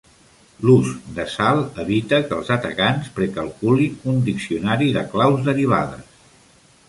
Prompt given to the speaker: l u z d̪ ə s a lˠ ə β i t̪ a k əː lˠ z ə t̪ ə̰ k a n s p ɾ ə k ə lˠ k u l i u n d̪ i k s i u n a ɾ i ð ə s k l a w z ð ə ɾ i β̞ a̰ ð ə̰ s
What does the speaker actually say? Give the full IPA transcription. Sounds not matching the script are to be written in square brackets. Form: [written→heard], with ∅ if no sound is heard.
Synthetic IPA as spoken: l u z d̪ ə s a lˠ ə β i t̪ [a→ə] k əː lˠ z ə t̪ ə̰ k a n s p ɾ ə k ə lˠ k u l i u n d̪ i k s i u n a ɾ i ð ə [s→∅] k l a w z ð ə ɾ i β̞ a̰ ð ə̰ s

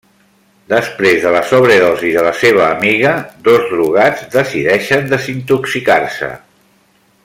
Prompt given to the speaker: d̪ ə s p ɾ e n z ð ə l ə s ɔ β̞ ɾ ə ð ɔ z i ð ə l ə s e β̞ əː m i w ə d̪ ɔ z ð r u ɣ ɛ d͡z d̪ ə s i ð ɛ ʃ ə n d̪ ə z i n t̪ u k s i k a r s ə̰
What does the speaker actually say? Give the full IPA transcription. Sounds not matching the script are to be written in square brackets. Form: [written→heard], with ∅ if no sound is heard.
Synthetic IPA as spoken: d̪ ə s p ɾ e [n→∅] z ð ə l ə s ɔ β̞ ɾ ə ð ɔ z i ð ə l ə s e β̞ əː m i [w→ɣ] ə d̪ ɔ z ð r u ɣ [ɛ→a] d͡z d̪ ə s i ð ɛ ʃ ə n d̪ ə z i n t̪ u k s i k a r s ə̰

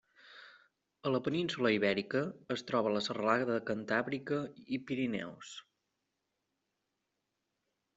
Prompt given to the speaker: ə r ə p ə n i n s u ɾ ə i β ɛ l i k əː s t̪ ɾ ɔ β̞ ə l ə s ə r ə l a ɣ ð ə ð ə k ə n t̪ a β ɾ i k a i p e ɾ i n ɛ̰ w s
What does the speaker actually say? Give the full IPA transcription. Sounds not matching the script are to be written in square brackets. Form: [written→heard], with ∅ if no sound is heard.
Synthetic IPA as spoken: ə [r→l] ə p ə n i n s u [ɾ→l] ə i β ɛ [l→ɾ] i k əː s t̪ ɾ ɔ β̞ ə l ə s ə r ə l a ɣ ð ə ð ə k ə n t̪ a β ɾ i k [a→ə] i p [e→i] ɾ i n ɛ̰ w s

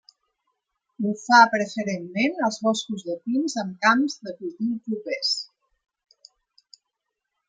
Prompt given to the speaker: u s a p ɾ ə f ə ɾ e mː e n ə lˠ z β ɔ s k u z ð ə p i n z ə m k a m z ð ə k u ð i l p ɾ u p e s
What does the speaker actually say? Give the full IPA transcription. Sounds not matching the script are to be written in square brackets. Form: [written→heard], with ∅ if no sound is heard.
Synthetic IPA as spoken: u [s→f] a p ɾ ə f ə ɾ e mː e n ə lˠ z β ɔ s k u z ð ə p i n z ə m k a m z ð ə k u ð i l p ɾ u p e s

